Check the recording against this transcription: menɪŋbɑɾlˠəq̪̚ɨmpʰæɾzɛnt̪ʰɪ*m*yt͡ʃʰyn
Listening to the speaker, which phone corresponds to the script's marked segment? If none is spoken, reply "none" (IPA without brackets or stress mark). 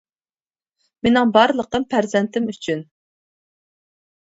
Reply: m